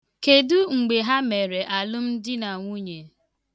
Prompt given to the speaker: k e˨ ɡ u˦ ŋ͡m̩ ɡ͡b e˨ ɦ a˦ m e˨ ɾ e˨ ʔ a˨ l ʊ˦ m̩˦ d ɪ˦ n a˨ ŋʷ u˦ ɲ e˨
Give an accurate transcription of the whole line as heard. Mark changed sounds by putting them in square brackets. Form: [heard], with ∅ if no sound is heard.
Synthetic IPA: k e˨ [d] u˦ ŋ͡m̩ ɡ͡b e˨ ɦ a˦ m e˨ ɾ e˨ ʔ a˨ l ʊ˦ m̩˦ d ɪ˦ n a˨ ŋʷ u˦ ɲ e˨